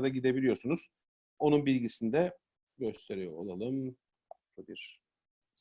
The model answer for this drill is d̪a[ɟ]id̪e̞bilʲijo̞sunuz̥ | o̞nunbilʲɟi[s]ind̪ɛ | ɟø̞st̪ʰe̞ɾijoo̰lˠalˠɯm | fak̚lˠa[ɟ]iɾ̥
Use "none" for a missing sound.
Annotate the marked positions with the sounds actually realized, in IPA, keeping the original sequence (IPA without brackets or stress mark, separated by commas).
ɟ, s, b